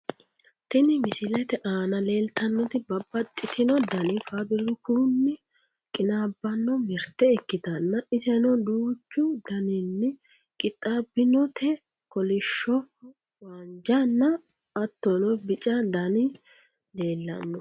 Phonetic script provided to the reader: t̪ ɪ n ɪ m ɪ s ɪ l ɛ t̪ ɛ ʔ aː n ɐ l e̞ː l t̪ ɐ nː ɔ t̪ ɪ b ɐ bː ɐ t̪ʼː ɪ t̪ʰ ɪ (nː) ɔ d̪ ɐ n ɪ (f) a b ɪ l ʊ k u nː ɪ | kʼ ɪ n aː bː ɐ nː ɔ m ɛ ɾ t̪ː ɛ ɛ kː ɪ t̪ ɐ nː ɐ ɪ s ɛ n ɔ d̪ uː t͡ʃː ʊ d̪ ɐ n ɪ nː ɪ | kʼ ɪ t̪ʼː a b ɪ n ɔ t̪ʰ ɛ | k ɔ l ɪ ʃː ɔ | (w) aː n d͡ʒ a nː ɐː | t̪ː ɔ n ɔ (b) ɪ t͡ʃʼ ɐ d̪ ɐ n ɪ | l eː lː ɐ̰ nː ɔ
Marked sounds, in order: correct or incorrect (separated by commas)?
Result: incorrect, correct, correct, correct